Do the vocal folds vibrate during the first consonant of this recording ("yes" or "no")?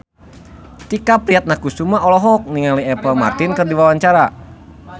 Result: no